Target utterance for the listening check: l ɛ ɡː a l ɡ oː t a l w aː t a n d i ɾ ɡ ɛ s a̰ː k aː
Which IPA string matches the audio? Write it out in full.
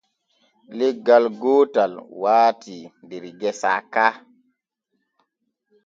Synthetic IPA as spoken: l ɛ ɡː a l ɡ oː t a l w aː t i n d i ɾ ɡ ɛ s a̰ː k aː